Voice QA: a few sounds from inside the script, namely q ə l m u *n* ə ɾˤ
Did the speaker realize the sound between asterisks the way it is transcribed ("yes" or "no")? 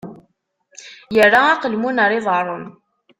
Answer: yes